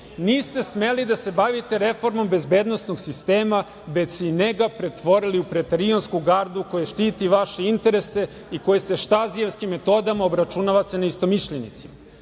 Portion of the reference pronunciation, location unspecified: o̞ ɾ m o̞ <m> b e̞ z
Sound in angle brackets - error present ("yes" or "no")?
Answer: no